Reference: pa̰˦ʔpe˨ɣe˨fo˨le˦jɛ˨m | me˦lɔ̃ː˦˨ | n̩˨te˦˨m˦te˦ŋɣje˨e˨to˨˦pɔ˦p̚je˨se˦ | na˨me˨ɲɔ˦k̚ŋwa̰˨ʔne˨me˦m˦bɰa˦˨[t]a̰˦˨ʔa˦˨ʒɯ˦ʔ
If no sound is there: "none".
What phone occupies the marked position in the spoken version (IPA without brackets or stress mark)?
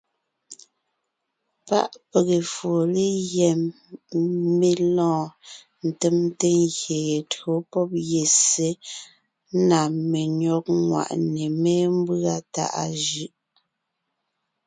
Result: t